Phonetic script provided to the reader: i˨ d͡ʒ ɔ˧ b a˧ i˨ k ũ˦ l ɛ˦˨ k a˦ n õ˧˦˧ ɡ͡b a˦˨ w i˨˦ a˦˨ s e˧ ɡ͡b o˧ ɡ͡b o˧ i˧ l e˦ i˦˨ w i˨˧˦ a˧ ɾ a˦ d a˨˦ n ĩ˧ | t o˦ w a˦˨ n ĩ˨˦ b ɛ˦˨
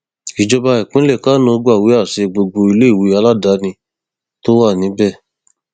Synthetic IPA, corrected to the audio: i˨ d͡ʒ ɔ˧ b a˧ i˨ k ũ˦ l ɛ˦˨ k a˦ n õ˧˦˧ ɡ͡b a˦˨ w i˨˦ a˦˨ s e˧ ɡ͡b o˧ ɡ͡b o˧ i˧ l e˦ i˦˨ w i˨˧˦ a˧ l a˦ d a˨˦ n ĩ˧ | t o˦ w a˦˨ n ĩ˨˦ b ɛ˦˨